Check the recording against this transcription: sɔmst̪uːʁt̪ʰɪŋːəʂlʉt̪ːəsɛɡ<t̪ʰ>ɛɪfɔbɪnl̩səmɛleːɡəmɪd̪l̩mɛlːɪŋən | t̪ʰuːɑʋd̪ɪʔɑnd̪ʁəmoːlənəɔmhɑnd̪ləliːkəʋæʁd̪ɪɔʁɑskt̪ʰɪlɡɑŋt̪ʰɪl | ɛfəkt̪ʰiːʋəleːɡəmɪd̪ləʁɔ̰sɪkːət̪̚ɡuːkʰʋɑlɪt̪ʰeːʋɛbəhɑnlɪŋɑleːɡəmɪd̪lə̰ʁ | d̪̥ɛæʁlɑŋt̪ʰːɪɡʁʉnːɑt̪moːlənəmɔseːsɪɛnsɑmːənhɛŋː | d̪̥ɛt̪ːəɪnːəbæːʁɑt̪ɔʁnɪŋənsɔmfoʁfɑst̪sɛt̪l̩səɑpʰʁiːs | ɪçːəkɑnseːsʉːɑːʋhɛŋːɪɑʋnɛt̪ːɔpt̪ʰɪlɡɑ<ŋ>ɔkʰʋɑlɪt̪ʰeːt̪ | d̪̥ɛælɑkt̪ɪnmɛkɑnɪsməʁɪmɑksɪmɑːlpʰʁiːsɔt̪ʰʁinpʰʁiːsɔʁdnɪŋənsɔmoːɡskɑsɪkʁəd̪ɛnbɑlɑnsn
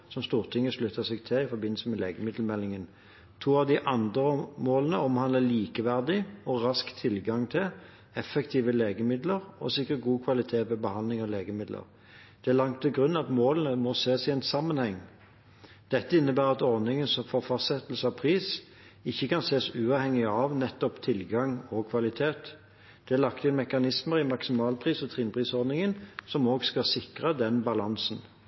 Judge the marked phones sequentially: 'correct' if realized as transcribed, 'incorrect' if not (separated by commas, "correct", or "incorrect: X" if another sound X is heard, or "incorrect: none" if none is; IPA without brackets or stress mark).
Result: correct, correct